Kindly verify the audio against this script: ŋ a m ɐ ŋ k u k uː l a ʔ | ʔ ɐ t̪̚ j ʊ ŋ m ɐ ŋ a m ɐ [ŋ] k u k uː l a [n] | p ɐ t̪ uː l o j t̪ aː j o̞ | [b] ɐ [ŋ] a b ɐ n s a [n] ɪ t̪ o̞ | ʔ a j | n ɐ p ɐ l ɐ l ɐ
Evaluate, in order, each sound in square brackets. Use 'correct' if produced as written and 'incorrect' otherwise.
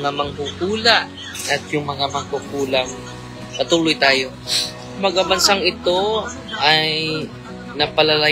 correct, incorrect: ŋ, incorrect: m, incorrect: ɡ, incorrect: ŋ

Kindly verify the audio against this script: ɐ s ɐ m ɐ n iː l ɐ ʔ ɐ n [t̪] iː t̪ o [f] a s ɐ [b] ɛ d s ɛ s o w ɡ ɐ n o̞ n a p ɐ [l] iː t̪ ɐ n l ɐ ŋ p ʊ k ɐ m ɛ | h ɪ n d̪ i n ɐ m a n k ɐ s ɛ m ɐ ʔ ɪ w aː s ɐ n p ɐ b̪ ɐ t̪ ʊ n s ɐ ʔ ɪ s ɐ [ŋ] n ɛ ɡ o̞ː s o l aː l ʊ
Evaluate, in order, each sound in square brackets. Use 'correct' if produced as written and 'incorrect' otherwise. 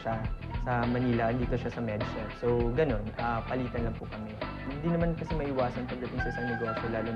incorrect: d̪, incorrect: ʃ, incorrect: m, correct, correct

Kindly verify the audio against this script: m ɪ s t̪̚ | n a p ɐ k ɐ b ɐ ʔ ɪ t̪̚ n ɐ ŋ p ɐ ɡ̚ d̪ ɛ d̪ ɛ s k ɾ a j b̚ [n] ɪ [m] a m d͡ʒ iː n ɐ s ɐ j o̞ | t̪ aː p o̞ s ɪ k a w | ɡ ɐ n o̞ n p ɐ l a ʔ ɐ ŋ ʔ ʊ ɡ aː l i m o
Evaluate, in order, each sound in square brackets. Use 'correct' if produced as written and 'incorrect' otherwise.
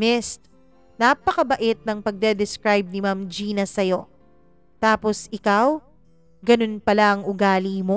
correct, correct

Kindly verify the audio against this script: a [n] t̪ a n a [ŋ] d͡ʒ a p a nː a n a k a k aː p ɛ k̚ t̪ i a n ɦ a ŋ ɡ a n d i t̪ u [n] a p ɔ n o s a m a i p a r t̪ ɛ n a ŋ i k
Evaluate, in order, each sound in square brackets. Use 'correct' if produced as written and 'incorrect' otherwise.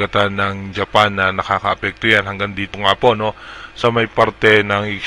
incorrect: none, correct, incorrect: ŋ

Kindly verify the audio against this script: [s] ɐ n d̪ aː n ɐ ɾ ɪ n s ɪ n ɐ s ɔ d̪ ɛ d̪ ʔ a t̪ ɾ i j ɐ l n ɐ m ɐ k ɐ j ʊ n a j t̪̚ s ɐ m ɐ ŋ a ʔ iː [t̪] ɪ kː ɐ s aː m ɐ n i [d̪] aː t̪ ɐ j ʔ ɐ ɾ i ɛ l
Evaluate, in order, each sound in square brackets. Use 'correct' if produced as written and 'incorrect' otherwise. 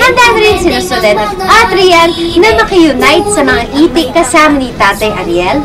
incorrect: h, correct, incorrect: t̪

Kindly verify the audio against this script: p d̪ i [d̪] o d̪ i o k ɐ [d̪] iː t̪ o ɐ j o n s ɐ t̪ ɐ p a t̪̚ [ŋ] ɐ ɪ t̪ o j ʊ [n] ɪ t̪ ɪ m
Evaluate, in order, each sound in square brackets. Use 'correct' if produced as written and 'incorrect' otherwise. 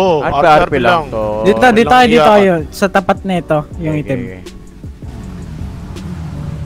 incorrect: t̪, correct, incorrect: n, incorrect: ŋ

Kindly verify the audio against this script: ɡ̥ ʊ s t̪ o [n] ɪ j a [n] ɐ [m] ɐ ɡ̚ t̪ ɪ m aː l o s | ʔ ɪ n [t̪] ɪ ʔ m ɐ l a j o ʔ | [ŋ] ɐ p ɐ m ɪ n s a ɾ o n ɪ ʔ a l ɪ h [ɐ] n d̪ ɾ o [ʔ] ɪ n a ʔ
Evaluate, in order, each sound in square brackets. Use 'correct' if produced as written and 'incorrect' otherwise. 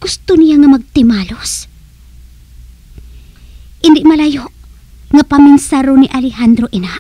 correct, incorrect: ŋ, correct, incorrect: d̪, correct, incorrect: a, correct

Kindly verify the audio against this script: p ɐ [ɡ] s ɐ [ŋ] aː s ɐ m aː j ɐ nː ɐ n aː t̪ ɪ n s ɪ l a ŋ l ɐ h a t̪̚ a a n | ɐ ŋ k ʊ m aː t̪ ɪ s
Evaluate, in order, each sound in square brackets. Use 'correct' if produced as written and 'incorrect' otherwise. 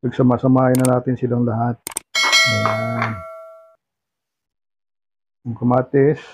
correct, incorrect: m

